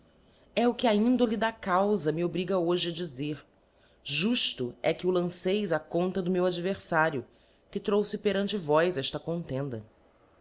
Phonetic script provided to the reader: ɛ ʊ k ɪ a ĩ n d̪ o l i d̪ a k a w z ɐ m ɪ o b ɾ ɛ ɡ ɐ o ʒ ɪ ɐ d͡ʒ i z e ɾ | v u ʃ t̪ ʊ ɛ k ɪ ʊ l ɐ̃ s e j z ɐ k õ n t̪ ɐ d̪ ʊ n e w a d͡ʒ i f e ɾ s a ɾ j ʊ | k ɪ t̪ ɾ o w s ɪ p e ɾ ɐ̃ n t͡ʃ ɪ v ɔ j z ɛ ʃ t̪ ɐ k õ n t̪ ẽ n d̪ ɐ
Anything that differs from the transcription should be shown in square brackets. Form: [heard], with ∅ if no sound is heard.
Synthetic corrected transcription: ɛ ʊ k ɪ a ĩ n d̪ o l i d̪ a k a w z ɐ m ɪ o b ɾ [i] ɡ ɐ o ʒ ɪ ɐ d͡ʒ i z e ɾ | [ʒ] u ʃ t̪ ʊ ɛ k ɪ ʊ l ɐ̃ s e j z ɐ k õ n t̪ ɐ d̪ ʊ [m] e w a d͡ʒ i [v] e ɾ s a ɾ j ʊ | k ɪ t̪ ɾ o w s ɪ p e ɾ ɐ̃ n t͡ʃ ɪ v ɔ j z ɛ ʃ t̪ ɐ k õ n t̪ ẽ n d̪ ɐ